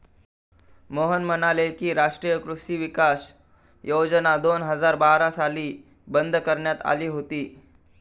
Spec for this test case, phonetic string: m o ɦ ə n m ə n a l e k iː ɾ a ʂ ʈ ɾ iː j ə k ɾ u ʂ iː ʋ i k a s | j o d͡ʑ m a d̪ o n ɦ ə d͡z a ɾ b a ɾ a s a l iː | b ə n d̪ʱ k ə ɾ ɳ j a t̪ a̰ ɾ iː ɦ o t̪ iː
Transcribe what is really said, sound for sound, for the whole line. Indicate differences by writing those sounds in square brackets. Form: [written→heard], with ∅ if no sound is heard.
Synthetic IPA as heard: m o ɦ ə n m ə n a l e k iː ɾ a ʂ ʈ ɾ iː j ə k ɾ u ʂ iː ʋ i k a s | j o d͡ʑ [m→n] a d̪ o n ɦ ə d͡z a ɾ b a ɾ a s a l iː | b ə n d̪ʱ k ə ɾ ɳ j a t̪ a̰ [ɾ→l] iː ɦ o t̪ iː

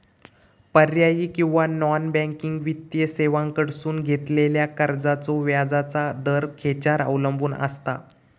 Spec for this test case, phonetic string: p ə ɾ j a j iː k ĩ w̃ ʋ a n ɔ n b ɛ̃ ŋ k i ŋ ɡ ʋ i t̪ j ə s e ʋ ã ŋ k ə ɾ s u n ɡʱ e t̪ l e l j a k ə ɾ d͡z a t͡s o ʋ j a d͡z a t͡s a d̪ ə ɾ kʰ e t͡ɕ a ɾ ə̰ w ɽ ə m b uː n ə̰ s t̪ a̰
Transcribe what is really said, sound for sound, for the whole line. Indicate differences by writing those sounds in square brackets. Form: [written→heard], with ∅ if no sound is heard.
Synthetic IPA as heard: p ə ɾ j a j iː k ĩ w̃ ʋ a n ɔ n b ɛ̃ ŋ k i ŋ ɡ ʋ i t̪ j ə s e ʋ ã ŋ k ə [ɾ→ɽ] s [u→uː] n ɡʱ e t̪ l e l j a k ə ɾ d͡z a t͡s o ʋ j a d͡z a t͡s a d̪ ə ɾ kʰ e t͡ɕ a ɾ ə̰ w [ɽ→l] ə m b uː n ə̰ s t̪ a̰

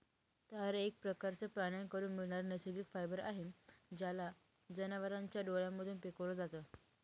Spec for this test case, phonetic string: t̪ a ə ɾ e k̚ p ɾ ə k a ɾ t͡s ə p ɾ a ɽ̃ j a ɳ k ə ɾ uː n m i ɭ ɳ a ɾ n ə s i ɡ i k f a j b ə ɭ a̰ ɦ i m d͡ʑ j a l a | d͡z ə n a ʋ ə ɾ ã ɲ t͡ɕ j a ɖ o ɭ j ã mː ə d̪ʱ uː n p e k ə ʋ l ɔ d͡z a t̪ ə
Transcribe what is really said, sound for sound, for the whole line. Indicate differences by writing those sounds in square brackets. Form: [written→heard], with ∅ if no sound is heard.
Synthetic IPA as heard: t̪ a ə ɾ e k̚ p ɾ ə k a ɾ t͡s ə p ɾ a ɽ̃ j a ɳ k ə ɾ uː n m i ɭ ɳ a ɾ n ə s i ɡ i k f a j b ə [ɭ→ɾ] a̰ ɦ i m d͡ʑ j a l a | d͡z ə n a ʋ ə ɾ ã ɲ t͡ɕ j a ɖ o ɭ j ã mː ə d̪ʱ uː n p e k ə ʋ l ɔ d͡z a t̪ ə

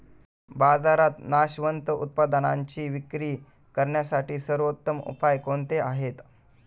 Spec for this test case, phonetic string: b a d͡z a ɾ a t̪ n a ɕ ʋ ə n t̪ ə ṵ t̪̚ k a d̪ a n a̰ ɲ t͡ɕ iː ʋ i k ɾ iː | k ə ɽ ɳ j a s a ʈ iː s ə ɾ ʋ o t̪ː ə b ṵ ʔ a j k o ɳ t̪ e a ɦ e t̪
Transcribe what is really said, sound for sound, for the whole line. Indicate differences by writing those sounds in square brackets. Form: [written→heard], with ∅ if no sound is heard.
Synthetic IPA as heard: b a d͡z a ɾ a t̪ n a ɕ ʋ ə n t̪ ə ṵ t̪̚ [k→p] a d̪ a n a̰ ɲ t͡ɕ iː ʋ i k ɾ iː | k ə [ɽ→ɾ] ɳ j a s a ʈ iː s ə ɾ ʋ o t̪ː ə [b→m] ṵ [ʔ→p] a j k o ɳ t̪ e a ɦ e t̪

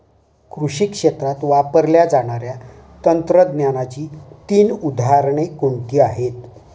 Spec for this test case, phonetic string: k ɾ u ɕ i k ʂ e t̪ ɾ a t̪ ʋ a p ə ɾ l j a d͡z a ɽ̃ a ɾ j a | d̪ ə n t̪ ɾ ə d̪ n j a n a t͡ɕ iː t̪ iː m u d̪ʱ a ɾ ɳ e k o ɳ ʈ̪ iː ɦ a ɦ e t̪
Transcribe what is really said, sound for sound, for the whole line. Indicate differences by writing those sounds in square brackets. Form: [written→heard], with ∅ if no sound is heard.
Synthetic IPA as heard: k ɾ u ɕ i k ʂ e t̪ ɾ a t̪ ʋ a p ə ɾ l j a d͡z a ɽ̃ a ɾ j a | [d̪→t̪] ə n t̪ ɾ ə d̪ n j a n a t͡ɕ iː t̪ iː [m→n] u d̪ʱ a ɾ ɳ e k o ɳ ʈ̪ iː [ɦ→∅] a ɦ e t̪

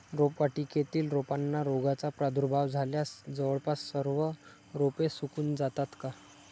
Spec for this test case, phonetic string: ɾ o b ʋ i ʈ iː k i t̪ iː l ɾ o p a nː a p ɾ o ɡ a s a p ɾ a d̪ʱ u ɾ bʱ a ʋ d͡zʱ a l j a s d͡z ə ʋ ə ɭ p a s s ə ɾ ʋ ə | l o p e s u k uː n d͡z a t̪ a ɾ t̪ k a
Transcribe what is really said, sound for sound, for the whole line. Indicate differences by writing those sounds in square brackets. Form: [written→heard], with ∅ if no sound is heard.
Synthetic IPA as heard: ɾ o [b→p] ʋ [i→a] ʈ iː k [i→e] t̪ iː l ɾ o p a nː a [p→∅] ɾ o ɡ a [s→t͡s] a p ɾ a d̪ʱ u ɾ bʱ a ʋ d͡zʱ a l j a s d͡z ə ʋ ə ɭ p a s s ə ɾ ʋ ə | [l→ɾ] o p e s u k uː n d͡z a t̪ a [ɾ→∅] t̪ k a

